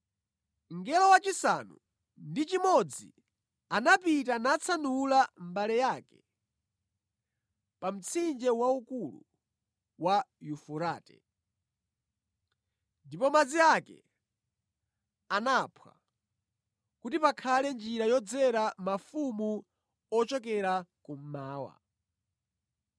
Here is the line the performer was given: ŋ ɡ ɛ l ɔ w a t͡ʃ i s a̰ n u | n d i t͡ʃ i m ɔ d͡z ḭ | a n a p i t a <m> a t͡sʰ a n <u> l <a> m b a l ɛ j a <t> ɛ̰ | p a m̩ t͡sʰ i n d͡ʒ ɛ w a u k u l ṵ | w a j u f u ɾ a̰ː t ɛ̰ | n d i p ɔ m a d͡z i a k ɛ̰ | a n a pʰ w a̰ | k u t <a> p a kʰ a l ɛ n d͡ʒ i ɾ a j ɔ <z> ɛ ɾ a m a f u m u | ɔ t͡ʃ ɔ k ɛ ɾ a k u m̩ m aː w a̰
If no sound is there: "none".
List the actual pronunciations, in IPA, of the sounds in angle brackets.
n, u, a, k, i, d͡z

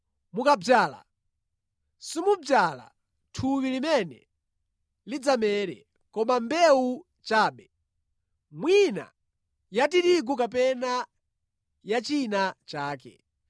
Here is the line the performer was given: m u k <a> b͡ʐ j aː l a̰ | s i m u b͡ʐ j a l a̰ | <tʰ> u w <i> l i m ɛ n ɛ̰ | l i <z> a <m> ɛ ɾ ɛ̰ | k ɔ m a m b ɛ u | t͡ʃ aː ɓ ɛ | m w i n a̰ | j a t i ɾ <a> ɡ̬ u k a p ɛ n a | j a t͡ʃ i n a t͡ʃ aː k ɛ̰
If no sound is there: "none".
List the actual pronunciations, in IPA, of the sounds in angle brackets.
a, tʰ, i, d͡z, m, i

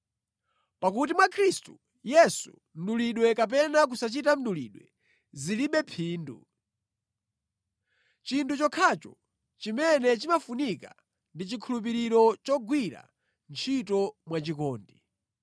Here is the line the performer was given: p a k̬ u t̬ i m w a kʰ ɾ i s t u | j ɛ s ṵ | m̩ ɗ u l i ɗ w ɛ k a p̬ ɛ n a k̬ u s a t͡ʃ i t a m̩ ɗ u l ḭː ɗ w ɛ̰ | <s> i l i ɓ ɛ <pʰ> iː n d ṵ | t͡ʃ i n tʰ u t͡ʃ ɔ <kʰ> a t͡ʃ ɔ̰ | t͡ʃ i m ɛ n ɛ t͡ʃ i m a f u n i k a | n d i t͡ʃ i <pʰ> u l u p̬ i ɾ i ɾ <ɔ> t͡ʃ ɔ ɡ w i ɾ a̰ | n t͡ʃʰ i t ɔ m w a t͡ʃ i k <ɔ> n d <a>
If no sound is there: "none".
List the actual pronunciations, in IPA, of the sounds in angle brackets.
z, pʰ, kʰ, kʰ, ɔ, ɔː, i

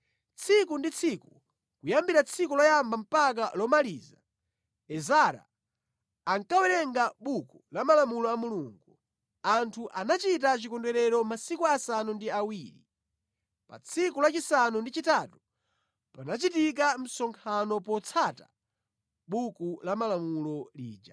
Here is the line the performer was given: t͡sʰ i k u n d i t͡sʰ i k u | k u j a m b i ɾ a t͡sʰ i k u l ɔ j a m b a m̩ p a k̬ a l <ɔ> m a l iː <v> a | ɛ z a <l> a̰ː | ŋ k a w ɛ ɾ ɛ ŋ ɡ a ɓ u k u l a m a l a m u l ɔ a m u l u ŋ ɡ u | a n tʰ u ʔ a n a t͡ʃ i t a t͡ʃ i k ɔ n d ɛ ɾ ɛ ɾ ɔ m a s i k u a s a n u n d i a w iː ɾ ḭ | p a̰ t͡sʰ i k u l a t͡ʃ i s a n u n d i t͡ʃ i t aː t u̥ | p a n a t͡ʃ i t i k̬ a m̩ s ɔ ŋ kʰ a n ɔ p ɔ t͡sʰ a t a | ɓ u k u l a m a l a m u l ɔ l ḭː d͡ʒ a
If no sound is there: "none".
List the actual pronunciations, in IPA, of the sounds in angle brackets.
ɔ, z, ɾ

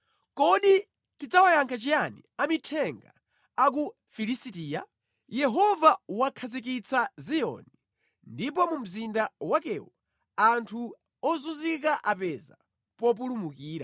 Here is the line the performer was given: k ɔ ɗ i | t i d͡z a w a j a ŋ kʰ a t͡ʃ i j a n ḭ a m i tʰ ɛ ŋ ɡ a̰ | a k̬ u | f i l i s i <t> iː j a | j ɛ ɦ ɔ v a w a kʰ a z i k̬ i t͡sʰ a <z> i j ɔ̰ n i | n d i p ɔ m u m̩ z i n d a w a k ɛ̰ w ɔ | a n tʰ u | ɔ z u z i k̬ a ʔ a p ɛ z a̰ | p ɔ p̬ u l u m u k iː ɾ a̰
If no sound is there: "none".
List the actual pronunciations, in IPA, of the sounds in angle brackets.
t, z

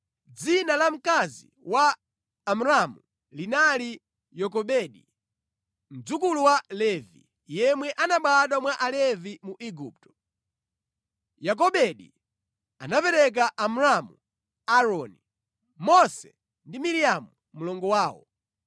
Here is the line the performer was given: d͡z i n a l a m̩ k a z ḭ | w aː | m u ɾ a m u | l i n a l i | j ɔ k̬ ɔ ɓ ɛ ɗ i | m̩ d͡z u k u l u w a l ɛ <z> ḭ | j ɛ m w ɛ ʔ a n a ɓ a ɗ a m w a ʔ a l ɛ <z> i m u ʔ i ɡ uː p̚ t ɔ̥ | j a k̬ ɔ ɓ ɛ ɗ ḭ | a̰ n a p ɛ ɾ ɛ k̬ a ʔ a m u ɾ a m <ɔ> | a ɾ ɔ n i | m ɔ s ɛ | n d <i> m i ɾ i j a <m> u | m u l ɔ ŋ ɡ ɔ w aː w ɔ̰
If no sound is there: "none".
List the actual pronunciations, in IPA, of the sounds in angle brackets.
v, v, u, i, m

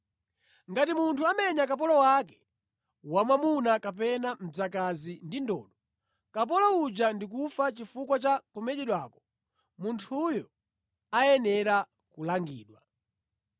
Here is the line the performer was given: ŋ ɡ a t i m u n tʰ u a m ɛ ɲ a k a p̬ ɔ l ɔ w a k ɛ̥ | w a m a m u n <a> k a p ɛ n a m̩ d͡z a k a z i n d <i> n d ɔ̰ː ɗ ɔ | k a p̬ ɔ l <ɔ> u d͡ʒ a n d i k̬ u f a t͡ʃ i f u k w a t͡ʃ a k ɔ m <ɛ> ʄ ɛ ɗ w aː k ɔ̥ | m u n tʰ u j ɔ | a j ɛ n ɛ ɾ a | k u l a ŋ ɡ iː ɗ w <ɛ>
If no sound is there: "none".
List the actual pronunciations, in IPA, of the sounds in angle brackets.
a, i, ɔ, ɛ, a

